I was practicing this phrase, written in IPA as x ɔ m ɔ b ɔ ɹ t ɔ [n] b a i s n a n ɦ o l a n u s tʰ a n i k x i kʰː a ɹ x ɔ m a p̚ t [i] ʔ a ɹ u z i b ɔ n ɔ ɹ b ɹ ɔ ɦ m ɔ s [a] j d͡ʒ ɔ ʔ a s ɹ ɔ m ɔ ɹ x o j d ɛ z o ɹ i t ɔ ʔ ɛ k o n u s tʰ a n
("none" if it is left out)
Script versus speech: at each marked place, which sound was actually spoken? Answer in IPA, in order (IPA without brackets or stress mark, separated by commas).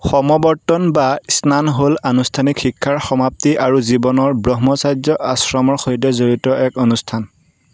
n, i, a